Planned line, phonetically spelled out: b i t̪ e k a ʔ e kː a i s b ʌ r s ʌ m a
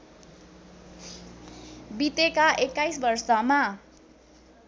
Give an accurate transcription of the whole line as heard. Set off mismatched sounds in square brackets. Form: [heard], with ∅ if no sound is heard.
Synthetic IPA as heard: b i t̪ e k a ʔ e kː a [j] s b ʌ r s ʌ m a